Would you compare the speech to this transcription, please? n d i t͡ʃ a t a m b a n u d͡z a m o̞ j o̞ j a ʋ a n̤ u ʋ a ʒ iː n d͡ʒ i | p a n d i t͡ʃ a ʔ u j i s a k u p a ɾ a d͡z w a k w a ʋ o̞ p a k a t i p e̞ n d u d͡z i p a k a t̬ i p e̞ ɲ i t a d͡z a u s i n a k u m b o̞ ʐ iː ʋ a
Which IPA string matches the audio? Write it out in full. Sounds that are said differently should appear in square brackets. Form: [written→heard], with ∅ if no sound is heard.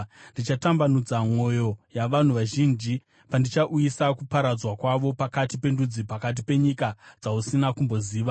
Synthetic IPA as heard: n d i t͡ʃ a t a m b a n u d͡z a m o̞ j o̞ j a ʋ a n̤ u ʋ a ʒ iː n d͡ʒ i | p a n d i t͡ʃ a ʔ u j i s a k u p a ɾ a d͡z w a k w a ʋ o̞ p a k a t i p e̞ n d u d͡z i p a k a t̬ i p e̞ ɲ i [t→k] a d͡z a u s i n a k u m b o̞ [ʐ→z] iː ʋ a